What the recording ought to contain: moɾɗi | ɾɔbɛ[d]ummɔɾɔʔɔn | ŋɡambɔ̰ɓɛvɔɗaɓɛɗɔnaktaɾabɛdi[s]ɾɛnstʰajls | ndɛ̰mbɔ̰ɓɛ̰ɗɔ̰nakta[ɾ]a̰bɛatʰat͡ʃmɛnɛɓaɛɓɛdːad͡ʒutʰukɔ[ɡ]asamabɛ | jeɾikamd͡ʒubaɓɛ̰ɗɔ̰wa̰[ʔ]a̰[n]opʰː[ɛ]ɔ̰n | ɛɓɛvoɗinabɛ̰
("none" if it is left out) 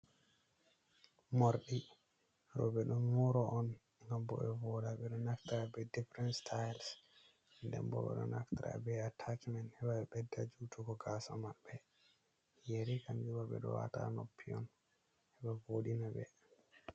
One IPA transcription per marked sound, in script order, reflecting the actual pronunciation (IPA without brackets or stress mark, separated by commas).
ɗ, f, ɾ, ɡ, t, n, i